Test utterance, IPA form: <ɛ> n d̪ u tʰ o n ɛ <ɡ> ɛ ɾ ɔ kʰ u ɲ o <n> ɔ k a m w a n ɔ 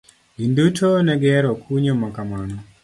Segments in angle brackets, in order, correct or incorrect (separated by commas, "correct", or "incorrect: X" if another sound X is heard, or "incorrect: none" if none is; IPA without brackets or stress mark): incorrect: i, correct, incorrect: m